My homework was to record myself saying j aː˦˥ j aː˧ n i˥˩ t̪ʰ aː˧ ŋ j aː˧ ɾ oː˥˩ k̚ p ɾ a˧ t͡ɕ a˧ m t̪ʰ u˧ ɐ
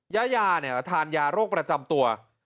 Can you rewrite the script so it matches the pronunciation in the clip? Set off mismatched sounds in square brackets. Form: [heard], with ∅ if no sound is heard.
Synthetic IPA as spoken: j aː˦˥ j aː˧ n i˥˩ t̪ʰ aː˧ [n] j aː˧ ɾ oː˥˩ k̚ p ɾ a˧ t͡ɕ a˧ m [t̪] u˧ ɐ